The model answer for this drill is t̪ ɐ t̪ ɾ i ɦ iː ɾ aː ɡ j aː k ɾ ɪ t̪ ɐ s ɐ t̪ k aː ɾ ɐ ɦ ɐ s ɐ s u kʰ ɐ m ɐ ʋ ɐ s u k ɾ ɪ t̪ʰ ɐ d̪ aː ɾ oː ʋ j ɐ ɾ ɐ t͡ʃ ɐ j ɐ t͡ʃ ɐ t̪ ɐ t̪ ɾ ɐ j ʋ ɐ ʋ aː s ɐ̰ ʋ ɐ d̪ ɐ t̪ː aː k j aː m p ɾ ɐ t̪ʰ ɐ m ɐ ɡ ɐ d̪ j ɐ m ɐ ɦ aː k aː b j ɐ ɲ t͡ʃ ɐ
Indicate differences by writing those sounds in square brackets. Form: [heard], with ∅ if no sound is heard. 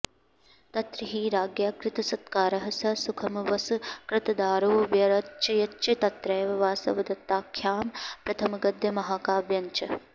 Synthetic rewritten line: t̪ ɐ t̪ ɾ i ɦ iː ɾ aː ɡ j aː k ɾ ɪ t̪ ɐ s ɐ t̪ k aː ɾ ɐ ɦ ɐ s ɐ s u kʰ ɐ m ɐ ʋ ɐ s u k ɾ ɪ [t̪] ɐ d̪ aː ɾ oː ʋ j ɐ ɾ ɐ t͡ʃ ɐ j ɐ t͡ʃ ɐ t̪ ɐ t̪ ɾ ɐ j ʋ ɐ ʋ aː s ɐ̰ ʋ ɐ d̪ ɐ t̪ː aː [kʰ] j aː m p ɾ ɐ t̪ʰ ɐ m ɐ ɡ ɐ d̪ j ɐ m ɐ ɦ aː k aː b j ɐ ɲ t͡ʃ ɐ